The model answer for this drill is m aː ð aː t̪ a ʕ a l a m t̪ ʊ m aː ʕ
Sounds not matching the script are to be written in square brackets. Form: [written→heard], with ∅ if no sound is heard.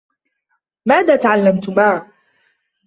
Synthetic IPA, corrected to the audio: m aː ð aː t̪ a ʕ a [l→lː] a m t̪ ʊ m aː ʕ